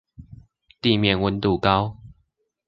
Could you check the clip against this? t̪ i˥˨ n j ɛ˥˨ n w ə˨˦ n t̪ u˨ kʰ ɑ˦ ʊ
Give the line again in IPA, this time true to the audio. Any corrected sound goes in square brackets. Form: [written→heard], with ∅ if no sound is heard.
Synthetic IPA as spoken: t̪ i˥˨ [n→m] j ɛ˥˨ n w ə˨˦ n t̪ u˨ [kʰ→k] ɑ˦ ʊ